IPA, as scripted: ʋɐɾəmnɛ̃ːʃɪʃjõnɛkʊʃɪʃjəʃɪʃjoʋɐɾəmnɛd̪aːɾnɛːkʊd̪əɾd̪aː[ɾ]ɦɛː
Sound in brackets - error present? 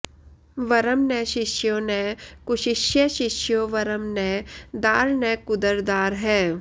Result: no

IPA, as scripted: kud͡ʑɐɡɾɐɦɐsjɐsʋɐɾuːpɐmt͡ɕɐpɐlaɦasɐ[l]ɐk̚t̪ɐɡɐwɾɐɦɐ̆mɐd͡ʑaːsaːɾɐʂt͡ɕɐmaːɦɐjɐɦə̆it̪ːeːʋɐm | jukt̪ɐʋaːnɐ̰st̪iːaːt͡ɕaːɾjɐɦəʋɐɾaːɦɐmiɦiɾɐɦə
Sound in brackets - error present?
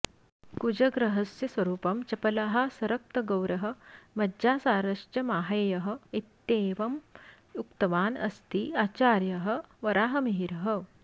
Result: yes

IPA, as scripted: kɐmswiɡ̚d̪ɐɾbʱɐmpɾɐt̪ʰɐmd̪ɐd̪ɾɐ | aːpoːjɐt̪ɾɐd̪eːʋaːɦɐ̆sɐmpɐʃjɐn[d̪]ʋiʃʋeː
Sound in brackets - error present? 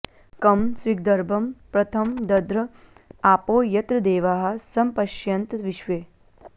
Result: yes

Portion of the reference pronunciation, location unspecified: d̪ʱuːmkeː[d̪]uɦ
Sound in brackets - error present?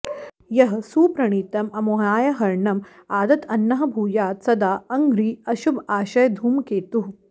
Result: yes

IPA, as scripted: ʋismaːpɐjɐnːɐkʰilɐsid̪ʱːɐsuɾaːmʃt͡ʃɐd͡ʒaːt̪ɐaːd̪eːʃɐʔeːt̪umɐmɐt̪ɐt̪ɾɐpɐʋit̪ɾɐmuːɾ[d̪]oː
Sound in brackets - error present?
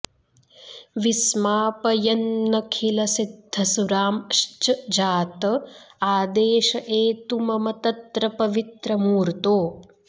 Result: yes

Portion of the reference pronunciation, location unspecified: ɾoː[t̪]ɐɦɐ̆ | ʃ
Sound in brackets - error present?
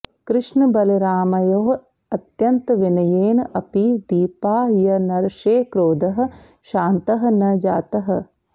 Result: yes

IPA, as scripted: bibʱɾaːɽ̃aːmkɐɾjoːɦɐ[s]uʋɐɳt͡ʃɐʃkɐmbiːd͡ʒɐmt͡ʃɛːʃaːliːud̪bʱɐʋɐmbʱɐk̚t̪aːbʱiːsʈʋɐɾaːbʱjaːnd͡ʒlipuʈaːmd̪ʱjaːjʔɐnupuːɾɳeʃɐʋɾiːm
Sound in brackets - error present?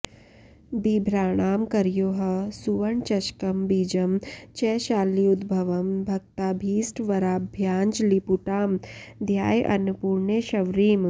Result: no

